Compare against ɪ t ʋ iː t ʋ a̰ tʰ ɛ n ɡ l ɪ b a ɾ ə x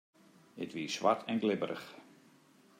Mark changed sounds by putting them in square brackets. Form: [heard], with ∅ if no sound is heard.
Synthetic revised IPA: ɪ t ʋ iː [s] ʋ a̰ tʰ ɛ n ɡ l ɪ b [ə] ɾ ə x